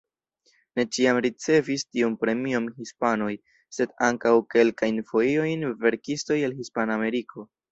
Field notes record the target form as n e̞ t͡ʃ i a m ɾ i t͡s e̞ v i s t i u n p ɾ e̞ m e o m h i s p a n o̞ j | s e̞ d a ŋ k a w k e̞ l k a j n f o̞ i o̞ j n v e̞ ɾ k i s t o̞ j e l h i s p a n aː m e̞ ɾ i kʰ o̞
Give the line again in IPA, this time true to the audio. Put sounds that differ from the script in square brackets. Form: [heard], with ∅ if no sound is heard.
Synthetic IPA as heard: n e̞ t͡ʃ i a m ɾ i t͡s e̞ v i s t i u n p ɾ e̞ m [i] o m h i s p a n o̞ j | s e̞ d a ŋ k a w k e̞ l k a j n f o̞ i o̞ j n v e̞ ɾ k i s t o̞ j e l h i s p a n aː m e̞ ɾ i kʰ o̞